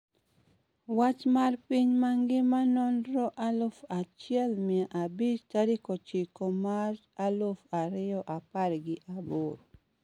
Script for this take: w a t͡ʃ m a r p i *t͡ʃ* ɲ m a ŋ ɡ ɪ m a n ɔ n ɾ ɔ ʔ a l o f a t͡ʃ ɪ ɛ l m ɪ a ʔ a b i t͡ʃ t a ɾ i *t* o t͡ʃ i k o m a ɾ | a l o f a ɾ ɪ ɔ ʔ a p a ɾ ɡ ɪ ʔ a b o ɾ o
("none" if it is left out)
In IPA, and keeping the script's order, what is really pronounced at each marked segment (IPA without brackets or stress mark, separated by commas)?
none, k